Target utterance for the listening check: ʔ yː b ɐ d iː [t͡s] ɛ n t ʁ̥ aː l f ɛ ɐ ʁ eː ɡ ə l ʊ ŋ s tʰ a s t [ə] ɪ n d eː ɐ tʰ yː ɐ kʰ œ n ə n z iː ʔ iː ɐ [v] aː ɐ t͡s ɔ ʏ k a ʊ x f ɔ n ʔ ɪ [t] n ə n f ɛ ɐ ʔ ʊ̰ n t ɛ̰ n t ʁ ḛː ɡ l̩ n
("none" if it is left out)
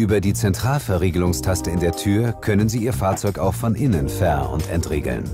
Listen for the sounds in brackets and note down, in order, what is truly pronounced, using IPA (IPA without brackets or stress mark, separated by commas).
t͡s, ə, f, none